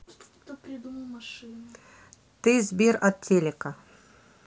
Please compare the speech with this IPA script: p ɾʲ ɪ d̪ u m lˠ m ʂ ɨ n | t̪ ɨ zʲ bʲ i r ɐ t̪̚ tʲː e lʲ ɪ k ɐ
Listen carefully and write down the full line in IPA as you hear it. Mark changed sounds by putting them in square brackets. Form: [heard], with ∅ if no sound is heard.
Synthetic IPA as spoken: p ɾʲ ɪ d̪ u m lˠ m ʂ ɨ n | t̪ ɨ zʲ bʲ i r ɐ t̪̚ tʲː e lʲ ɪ k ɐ

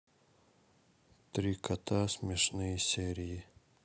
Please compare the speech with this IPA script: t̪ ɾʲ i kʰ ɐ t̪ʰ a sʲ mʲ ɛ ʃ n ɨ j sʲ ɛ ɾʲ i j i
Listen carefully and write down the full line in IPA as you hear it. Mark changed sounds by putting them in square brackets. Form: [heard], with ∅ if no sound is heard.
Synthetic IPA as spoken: t̪ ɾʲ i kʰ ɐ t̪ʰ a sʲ mʲ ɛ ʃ n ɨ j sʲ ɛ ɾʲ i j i

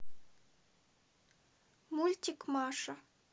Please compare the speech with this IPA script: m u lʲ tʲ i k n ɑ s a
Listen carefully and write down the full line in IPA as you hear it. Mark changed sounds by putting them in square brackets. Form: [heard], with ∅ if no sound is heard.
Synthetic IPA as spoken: m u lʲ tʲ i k [m] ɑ [ʂ] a

